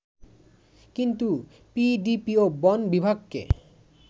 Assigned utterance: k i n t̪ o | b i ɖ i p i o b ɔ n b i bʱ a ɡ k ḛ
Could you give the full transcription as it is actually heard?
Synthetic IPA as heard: k i n t̪ u | p i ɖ i p i o b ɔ n b i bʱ a ɡ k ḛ